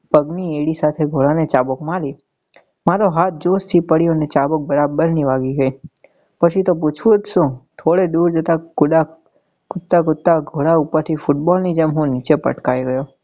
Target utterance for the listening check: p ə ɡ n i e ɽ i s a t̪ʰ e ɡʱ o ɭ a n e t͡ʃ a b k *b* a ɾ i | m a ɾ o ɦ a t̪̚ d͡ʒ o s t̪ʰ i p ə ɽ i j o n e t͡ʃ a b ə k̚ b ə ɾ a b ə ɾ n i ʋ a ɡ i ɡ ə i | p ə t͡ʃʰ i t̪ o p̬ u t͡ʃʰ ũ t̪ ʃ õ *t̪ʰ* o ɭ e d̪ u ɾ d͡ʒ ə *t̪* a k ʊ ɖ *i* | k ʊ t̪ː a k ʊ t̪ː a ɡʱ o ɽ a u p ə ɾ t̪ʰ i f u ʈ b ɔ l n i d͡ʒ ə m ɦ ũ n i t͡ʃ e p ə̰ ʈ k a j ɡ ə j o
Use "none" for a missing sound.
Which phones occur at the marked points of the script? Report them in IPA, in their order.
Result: m, t̪ʰ, t̪, a

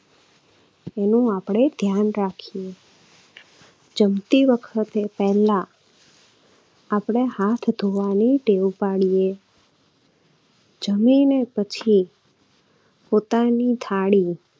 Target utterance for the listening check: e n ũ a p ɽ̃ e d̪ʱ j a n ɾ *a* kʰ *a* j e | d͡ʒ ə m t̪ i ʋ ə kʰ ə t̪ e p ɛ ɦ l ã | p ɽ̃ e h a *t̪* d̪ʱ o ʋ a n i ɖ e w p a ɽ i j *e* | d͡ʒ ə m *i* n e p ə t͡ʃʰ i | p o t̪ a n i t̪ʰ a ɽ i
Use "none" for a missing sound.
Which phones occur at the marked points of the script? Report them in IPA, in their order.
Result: a, i, t̪ʰ, e, i

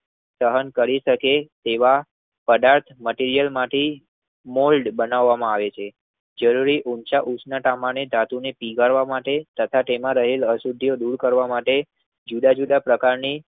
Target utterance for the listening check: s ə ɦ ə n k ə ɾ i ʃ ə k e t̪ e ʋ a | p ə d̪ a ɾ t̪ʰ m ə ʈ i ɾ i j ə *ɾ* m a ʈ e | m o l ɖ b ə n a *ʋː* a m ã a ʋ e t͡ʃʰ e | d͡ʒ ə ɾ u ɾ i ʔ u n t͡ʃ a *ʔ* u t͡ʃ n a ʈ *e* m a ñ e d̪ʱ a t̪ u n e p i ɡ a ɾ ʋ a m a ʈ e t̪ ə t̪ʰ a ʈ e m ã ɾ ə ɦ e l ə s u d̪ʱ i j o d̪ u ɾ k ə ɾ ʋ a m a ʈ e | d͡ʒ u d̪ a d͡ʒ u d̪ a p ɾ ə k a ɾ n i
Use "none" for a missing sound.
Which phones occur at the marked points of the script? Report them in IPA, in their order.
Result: l, ʋː, ʔ, a

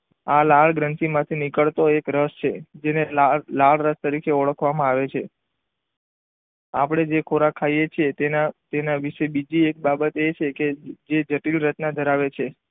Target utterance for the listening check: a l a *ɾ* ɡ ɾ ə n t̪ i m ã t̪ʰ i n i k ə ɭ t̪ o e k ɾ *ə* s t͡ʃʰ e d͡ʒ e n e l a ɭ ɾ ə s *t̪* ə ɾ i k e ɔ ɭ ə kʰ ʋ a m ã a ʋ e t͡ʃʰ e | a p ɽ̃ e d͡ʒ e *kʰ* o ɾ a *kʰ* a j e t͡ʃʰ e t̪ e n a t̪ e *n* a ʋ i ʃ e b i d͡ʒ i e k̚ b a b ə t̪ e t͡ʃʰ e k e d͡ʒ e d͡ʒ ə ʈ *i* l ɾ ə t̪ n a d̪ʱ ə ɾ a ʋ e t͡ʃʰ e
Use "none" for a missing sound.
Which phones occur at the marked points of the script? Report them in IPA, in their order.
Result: ɭ, ə, t̪, kʰ, kʰ, n, i

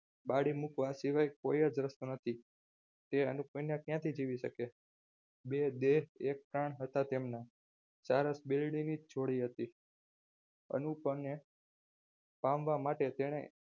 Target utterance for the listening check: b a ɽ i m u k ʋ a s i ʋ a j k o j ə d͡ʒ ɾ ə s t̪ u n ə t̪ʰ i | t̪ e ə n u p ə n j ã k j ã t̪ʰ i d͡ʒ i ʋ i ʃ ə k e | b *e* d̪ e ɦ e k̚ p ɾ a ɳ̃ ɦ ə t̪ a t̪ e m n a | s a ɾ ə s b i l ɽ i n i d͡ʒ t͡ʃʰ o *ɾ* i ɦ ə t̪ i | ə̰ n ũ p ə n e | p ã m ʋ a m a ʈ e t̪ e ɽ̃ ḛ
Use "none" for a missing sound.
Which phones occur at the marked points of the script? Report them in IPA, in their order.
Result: e, ɽ

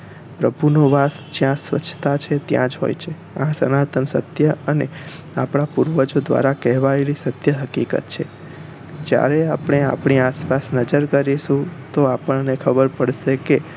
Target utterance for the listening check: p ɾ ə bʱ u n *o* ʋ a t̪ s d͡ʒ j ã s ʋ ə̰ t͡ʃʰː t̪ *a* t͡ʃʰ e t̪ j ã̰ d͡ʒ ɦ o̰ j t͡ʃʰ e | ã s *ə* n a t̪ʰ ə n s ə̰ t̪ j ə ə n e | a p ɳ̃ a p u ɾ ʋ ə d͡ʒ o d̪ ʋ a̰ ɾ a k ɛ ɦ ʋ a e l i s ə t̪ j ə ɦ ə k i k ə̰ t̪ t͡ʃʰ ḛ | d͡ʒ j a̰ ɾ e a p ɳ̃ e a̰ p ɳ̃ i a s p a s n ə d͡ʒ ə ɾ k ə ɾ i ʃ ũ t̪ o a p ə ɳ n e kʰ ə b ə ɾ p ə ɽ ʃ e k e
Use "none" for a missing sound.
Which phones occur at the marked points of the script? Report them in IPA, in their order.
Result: o, a, ə

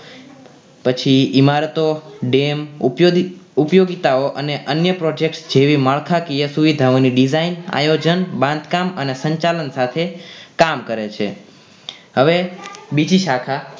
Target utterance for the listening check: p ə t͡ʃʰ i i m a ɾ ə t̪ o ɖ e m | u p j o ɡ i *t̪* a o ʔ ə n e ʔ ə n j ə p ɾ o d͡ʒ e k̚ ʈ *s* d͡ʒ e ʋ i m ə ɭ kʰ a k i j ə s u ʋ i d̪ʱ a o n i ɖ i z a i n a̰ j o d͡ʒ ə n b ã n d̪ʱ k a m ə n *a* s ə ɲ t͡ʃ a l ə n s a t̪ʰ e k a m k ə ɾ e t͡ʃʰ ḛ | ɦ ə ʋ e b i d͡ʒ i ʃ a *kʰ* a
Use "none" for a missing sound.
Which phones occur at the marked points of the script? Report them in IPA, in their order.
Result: t̪, s, e, kʰ

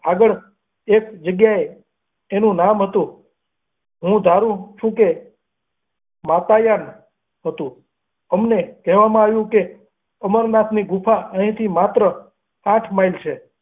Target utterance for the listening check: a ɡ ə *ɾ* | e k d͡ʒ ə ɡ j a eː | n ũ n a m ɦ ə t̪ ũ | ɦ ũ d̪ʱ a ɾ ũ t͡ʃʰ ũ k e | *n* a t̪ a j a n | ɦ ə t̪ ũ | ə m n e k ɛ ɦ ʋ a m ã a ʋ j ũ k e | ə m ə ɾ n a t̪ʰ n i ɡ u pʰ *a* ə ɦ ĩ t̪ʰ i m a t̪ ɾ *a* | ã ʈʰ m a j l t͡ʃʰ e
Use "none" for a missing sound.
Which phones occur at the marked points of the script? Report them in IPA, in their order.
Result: ɭ, m, a, ə

